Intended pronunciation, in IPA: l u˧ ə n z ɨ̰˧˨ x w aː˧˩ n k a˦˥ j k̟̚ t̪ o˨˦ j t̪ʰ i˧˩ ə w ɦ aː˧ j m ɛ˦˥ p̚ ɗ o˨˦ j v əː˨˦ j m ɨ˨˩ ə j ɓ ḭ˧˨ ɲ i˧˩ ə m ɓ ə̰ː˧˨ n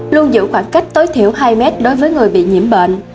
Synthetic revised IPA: l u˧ ə n z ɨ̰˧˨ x w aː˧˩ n k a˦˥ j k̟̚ t̪ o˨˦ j t̪ʰ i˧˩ ə w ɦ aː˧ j m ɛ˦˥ t̚ ɗ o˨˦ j v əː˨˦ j ŋ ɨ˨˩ ə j ɓ ḭ˧˨ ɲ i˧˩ ə m ɓ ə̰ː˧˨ n